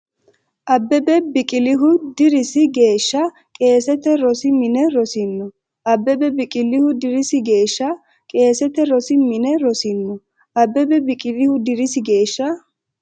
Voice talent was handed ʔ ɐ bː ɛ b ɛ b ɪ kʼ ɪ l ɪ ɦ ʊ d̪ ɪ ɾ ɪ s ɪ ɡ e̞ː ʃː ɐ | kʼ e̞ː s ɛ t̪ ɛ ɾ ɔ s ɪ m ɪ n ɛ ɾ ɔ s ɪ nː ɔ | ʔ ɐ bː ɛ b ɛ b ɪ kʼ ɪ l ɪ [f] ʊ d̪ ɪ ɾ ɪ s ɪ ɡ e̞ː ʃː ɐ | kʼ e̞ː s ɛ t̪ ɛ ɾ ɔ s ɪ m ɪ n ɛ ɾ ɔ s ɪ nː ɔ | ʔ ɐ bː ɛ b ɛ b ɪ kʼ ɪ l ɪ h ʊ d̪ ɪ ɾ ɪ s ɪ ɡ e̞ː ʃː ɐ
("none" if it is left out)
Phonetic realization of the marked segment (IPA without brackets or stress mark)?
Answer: h